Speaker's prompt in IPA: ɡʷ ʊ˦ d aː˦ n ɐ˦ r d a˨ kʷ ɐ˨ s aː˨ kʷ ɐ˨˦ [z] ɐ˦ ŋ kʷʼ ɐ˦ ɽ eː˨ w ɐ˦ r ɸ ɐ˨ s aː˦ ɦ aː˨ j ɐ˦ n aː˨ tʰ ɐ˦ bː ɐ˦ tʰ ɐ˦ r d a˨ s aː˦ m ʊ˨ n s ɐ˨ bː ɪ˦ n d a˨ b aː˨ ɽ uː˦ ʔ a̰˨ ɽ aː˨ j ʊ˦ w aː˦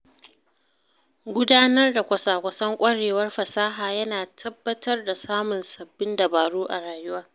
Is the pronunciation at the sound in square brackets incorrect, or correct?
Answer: incorrect